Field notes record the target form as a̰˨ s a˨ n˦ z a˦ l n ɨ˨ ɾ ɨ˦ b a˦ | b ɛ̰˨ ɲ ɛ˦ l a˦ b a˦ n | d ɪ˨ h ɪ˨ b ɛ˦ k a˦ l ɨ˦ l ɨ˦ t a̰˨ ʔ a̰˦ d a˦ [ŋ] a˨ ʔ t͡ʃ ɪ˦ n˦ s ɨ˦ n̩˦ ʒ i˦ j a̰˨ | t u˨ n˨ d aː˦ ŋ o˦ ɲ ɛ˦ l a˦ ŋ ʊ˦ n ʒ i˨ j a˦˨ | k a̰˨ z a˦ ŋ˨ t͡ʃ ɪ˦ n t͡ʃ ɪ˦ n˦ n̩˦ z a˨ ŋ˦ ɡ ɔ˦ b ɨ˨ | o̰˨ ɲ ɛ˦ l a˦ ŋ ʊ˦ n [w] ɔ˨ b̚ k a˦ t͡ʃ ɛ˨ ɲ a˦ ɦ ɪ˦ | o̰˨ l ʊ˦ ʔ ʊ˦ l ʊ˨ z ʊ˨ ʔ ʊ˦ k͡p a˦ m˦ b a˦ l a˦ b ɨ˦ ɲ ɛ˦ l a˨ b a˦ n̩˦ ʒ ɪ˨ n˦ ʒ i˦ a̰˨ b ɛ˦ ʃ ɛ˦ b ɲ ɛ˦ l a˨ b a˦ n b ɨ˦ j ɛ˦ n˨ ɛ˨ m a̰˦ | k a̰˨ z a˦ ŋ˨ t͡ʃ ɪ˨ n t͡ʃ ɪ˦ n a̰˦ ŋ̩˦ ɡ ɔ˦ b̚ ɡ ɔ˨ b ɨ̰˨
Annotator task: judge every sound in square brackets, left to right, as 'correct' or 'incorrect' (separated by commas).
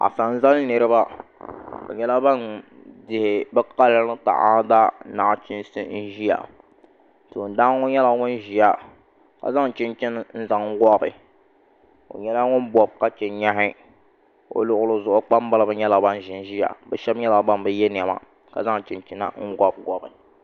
incorrect, incorrect